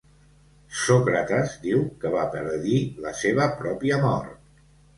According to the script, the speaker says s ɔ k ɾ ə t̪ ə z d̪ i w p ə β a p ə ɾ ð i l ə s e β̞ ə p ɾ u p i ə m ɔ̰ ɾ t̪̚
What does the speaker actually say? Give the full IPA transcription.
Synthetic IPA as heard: s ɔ k ɾ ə t̪ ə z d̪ i w k ə β a p ə ɾ ð i l ə s e β̞ ə p ɾ ɔ p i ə m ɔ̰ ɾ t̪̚